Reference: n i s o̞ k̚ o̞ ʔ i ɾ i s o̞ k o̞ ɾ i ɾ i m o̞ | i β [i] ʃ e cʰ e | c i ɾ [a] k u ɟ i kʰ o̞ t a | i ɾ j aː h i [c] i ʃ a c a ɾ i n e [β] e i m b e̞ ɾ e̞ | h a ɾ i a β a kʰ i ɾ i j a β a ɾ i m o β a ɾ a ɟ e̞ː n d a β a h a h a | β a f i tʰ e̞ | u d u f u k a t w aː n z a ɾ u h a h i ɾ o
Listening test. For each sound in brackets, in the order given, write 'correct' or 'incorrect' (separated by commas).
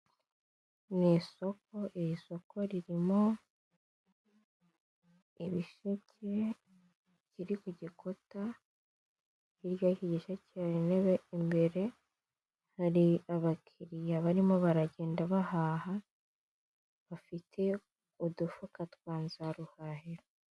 correct, incorrect, incorrect, correct